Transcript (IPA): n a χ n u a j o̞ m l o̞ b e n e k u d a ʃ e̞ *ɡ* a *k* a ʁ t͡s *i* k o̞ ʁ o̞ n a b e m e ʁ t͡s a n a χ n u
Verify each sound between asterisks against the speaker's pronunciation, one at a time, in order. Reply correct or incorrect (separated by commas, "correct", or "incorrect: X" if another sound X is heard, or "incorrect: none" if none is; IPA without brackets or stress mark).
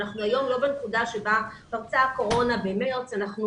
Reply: incorrect: b, incorrect: p, incorrect: a